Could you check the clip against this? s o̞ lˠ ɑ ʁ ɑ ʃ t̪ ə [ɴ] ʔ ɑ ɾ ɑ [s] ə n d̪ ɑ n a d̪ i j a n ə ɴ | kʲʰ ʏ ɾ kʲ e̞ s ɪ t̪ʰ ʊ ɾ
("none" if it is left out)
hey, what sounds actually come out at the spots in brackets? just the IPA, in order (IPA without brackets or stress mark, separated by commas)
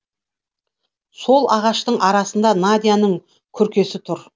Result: ɴ, s